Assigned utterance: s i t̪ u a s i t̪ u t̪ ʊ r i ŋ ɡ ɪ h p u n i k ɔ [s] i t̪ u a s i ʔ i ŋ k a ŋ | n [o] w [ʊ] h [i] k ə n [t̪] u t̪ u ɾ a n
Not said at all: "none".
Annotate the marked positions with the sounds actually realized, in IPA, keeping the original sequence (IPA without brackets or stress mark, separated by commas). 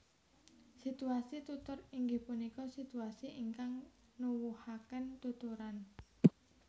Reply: s, u, u, a, t̪